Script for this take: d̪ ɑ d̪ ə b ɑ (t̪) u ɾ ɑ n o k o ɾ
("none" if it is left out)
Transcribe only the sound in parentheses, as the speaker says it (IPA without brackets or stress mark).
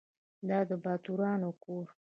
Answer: t̪